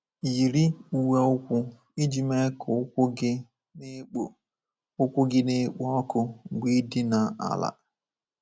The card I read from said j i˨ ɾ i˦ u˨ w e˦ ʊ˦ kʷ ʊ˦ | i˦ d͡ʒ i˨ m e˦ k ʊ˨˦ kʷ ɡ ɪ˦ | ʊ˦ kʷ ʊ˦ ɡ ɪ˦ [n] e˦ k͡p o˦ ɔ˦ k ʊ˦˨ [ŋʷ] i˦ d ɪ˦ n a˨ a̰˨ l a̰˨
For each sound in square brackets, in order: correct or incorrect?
correct, incorrect: ɡʷ

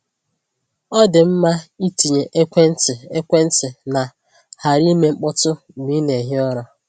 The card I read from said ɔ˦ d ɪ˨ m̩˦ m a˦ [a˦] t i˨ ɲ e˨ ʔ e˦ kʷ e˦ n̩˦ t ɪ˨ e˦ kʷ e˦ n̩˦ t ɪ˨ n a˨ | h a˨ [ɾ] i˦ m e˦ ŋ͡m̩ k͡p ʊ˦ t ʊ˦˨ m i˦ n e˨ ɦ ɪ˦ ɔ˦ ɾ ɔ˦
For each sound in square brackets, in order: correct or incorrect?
incorrect: i˦, correct

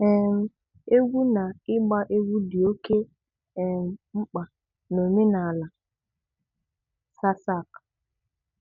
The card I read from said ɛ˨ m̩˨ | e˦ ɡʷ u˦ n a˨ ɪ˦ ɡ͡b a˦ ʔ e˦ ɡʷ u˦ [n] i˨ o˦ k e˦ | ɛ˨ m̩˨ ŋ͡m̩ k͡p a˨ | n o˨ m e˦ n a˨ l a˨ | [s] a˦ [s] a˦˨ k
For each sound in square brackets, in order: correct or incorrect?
incorrect: d, correct, correct

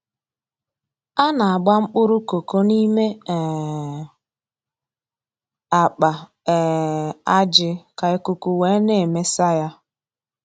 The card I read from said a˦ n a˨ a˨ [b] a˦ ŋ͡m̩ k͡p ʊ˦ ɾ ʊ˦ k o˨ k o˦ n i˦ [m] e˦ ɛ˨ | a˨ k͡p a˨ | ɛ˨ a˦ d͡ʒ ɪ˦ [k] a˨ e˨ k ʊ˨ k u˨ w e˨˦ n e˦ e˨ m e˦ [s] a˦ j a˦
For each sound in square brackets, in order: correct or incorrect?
incorrect: ɡ͡b, correct, correct, correct

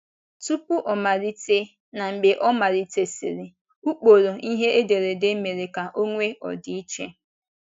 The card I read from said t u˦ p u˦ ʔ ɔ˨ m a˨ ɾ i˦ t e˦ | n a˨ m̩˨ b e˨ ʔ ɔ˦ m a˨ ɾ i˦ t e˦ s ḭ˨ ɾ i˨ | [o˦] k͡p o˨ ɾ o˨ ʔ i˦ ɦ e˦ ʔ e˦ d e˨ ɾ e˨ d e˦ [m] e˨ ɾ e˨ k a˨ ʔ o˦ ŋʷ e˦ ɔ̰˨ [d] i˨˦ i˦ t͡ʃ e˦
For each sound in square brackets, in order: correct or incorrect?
incorrect: u˦, correct, correct

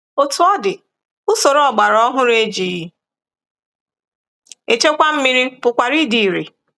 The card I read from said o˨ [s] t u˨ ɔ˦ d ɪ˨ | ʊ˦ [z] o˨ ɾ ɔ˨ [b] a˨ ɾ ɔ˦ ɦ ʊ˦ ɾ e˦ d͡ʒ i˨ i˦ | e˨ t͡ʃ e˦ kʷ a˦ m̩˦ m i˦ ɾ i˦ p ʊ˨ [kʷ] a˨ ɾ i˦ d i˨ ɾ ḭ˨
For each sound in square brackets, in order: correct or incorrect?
incorrect: none, incorrect: s, incorrect: ɡ͡b, correct

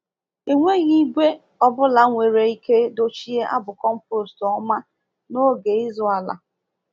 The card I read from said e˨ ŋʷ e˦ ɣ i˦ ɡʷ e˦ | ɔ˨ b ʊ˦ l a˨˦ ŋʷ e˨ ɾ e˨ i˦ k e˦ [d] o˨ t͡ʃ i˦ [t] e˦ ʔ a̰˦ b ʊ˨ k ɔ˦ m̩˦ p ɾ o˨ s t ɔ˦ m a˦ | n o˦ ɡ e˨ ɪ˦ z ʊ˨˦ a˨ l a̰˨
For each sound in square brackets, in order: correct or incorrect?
correct, incorrect: none

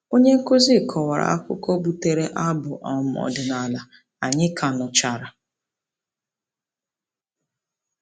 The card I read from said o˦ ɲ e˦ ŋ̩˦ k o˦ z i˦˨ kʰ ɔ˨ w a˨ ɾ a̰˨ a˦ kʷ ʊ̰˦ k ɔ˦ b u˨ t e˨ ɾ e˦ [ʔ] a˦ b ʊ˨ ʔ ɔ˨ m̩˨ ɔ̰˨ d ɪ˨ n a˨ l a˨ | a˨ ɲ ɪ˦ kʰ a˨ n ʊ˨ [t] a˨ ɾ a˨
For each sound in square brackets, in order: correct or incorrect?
correct, incorrect: t͡ʃ

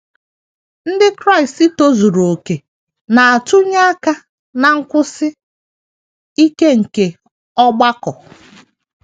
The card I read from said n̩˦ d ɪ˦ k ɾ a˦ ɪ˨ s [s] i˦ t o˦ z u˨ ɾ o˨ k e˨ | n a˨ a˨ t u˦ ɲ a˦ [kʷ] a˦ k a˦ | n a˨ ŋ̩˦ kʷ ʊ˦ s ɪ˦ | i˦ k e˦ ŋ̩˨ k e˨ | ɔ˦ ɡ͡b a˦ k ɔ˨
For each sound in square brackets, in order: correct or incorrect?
incorrect: t, incorrect: none

